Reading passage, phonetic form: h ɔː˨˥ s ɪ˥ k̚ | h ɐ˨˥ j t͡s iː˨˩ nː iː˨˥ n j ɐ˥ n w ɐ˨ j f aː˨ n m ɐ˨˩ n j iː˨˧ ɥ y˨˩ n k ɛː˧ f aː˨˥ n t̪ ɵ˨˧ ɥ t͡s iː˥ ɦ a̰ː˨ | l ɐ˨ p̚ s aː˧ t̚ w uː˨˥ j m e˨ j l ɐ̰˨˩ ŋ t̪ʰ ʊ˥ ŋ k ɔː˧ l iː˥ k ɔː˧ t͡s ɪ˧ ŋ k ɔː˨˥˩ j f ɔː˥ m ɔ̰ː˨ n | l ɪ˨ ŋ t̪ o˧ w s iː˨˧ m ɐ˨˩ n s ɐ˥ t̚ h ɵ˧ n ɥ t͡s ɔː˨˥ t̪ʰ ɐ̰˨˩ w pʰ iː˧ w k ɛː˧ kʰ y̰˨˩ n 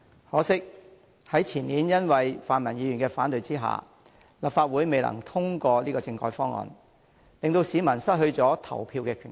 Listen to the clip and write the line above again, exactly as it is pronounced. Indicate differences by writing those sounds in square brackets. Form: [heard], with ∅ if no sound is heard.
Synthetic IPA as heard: h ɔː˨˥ s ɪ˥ k̚ | h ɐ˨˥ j [t͡sʰ] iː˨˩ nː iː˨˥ n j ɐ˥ n w ɐ˨ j f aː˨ n m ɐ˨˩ n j iː˨˧ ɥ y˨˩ n k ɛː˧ f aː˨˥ n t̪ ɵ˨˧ ɥ t͡s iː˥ ɦ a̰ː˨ | l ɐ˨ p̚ [f] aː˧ t̚ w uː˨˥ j m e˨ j l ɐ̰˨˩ ŋ t̪ʰ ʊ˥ ŋ k ɔː˧ l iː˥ k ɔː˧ t͡s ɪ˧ ŋ k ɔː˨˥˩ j f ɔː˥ [ŋ] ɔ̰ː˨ n | l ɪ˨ ŋ t̪ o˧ w s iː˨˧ m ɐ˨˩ n s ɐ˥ t̚ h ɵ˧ [∅] ɥ t͡s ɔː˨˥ t̪ʰ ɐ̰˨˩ w pʰ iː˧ w k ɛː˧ kʰ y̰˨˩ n

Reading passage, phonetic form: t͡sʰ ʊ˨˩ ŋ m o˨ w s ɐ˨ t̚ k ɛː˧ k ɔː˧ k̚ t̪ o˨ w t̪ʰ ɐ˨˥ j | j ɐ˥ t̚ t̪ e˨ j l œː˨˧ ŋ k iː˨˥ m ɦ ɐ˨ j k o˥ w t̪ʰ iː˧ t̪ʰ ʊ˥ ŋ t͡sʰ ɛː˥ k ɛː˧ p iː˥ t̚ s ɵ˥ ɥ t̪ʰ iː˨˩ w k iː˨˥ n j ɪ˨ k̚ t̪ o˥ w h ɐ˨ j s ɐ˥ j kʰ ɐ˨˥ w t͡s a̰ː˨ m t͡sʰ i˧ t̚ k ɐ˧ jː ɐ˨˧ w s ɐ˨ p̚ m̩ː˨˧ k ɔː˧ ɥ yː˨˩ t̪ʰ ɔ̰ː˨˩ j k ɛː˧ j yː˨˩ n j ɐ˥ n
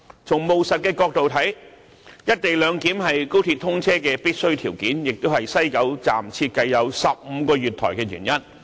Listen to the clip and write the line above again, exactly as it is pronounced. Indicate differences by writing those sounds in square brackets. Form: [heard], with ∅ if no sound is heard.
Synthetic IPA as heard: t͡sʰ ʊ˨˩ ŋ m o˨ w s ɐ˨ t̚ k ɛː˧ k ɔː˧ k̚ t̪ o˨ w t̪ʰ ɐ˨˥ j | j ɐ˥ t̚ t̪ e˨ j l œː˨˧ ŋ k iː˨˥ m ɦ ɐ˨ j k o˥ w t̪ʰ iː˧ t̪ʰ ʊ˥ ŋ t͡sʰ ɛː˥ k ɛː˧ p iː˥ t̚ s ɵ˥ ɥ t̪ʰ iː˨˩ w k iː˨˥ n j ɪ˨ k̚ t̪ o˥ w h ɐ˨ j s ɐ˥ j [k] ɐ˨˥ w t͡s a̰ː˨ m t͡sʰ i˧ t̚ k ɐ˧ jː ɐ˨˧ w s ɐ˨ p̚ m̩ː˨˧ k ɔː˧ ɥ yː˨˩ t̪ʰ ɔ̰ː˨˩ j k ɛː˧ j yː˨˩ n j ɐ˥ n

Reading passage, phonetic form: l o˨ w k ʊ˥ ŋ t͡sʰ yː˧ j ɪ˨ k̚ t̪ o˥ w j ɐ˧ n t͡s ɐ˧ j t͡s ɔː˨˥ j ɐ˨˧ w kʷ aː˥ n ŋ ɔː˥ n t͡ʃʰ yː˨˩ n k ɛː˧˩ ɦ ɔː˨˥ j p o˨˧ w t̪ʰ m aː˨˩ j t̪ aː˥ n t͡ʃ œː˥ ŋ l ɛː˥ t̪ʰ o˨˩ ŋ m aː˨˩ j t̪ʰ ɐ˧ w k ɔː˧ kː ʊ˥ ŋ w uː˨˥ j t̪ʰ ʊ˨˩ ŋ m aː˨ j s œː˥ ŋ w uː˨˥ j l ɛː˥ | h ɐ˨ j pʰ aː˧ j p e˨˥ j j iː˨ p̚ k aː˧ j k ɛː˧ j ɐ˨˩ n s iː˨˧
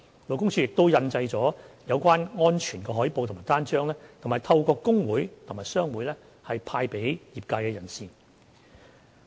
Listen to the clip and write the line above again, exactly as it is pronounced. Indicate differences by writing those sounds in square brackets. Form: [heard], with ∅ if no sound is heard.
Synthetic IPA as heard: l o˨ w k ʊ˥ ŋ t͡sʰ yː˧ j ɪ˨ k̚ t̪ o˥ w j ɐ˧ n t͡s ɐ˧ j t͡s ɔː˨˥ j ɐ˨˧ w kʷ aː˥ n ŋ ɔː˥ n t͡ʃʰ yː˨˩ n k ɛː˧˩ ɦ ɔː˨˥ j p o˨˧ w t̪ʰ m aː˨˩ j t̪ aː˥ n t͡ʃ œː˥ ŋ l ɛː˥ t̪ʰ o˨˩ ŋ m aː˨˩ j t̪ʰ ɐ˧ w k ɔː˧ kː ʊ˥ ŋ w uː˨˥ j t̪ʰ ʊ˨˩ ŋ m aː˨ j s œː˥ ŋ w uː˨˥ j l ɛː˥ | h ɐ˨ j pʰ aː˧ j p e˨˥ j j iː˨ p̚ k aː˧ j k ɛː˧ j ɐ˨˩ n s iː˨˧

